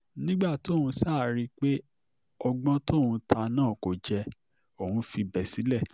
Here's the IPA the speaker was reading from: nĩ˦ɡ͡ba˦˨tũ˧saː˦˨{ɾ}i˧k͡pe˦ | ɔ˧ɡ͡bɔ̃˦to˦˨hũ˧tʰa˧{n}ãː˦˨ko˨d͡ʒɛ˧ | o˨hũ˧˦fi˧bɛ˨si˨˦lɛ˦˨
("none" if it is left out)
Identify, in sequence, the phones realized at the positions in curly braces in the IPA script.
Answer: ɾ, n

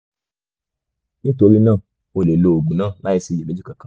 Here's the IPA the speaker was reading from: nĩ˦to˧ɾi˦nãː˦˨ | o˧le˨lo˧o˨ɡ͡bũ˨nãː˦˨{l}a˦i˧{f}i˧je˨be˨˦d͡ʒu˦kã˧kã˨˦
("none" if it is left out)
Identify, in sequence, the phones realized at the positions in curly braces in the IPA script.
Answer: l, s

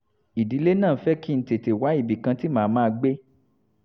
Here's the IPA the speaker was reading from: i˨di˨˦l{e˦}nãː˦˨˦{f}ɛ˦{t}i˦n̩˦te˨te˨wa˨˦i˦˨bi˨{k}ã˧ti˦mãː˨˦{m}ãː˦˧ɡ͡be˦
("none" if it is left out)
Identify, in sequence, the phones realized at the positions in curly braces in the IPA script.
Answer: e˦, f, k, k, m

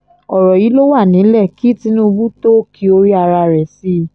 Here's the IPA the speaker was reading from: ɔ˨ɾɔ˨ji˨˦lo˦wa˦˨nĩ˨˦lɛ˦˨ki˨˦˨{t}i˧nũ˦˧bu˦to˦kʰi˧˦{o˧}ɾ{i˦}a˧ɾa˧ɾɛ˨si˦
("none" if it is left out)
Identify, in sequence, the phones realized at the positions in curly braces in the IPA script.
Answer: t, o˧, i˦

